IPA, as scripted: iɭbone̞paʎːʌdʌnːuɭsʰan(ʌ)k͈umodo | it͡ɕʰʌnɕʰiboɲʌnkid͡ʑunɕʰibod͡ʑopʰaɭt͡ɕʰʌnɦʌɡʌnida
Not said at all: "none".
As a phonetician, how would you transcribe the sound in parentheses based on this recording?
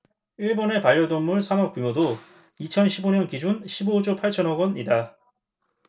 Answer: ʌ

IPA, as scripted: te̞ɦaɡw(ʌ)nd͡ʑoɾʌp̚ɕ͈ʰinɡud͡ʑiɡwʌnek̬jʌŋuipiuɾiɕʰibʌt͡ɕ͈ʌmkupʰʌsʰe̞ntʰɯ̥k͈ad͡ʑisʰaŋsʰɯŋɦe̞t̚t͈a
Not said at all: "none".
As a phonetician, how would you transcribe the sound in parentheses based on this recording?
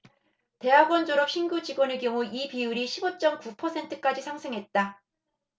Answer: ʌ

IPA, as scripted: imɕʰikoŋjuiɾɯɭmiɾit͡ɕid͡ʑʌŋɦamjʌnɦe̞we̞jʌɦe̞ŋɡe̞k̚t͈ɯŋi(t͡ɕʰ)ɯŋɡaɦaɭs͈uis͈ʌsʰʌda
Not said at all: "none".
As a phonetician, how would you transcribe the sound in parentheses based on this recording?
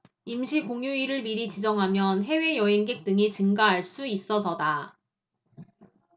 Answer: t͡ɕ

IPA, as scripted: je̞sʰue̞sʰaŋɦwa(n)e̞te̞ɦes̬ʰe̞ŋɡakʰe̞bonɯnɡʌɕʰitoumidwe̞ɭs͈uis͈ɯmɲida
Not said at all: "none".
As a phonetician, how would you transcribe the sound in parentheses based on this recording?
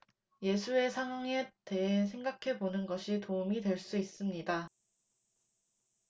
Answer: ŋ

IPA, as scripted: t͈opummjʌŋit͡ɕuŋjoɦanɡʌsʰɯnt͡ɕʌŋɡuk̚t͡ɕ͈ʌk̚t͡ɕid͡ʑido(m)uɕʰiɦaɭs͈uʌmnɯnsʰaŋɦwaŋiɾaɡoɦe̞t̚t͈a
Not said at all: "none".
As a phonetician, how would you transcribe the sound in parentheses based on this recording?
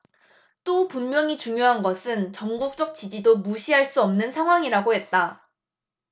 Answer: m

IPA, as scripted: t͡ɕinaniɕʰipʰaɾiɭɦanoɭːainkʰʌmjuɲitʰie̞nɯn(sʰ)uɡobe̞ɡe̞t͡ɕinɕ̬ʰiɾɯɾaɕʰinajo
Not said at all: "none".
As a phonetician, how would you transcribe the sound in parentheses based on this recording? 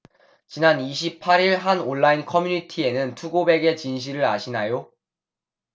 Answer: tʰ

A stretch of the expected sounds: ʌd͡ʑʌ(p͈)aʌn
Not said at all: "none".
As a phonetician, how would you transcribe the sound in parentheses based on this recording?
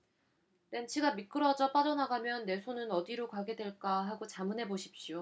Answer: p͈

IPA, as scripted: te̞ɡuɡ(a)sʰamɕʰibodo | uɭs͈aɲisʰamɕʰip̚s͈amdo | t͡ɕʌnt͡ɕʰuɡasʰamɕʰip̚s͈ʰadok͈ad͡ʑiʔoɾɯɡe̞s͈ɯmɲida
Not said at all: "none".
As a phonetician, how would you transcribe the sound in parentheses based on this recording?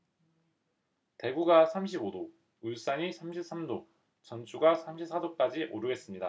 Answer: a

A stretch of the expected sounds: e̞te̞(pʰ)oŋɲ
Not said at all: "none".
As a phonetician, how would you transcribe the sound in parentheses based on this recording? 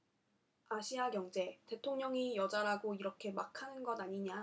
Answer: tʰ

